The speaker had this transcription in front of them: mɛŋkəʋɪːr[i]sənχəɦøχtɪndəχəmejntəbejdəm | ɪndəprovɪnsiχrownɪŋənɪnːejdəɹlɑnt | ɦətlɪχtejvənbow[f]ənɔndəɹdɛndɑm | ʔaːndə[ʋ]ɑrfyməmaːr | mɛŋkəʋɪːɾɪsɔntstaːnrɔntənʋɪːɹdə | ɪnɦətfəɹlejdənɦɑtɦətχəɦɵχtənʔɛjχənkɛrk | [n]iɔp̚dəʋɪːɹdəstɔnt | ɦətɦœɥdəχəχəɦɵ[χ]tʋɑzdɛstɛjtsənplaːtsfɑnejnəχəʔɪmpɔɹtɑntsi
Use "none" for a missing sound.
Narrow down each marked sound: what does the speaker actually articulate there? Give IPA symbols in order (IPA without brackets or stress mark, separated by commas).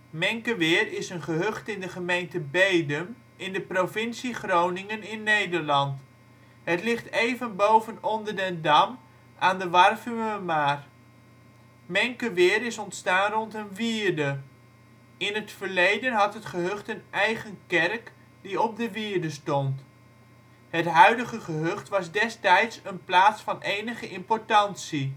ɪ, v, ʋ, d, χ